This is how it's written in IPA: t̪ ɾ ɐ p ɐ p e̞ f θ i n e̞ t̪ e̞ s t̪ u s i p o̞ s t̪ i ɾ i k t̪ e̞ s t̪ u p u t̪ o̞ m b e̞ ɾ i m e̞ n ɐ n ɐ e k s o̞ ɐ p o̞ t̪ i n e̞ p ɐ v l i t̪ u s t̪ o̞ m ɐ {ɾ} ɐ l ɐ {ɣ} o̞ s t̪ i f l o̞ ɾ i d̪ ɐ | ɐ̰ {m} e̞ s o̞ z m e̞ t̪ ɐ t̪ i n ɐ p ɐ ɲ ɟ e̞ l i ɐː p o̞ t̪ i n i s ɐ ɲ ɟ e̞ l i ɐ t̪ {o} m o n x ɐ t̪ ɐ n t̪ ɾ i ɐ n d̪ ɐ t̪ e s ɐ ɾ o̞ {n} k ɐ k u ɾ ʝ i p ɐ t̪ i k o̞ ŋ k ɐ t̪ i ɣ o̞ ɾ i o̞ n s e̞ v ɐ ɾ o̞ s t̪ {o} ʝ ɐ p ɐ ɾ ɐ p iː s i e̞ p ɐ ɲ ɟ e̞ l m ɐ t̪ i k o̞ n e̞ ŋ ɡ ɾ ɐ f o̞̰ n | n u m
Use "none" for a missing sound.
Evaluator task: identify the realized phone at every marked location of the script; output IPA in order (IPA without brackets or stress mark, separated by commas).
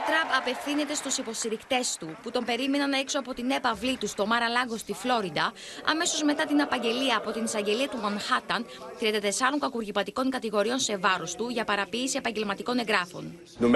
ɾ, ɣ, m, u, ŋ, u